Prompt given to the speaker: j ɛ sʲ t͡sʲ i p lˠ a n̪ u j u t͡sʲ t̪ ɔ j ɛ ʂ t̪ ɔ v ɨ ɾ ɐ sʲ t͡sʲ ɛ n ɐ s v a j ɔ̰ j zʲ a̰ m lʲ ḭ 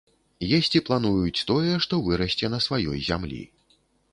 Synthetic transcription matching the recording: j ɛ sʲ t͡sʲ i p lˠ a n̪ u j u t͡sʲ t̪ ɔ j ɛ ʂ t̪ ɔ v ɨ ɾ ɐ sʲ t͡sʲ ɛ n ɐ s v a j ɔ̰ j zʲ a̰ m lʲ ḭ